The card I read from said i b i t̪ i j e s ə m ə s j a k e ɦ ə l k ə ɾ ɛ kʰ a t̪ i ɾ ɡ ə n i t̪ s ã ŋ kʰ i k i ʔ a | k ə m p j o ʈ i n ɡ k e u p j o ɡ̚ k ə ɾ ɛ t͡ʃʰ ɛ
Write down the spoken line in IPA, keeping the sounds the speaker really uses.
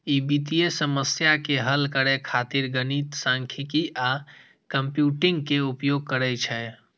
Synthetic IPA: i b i t̪ i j e s ə m ə s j a k e ɦ ə l k ə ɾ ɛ kʰ a t̪ i ɾ ɡ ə n i t̪ s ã ŋ kʰ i k i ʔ a | k ə m p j u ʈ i ŋ ɡ k e u p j o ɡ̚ k ə ɾ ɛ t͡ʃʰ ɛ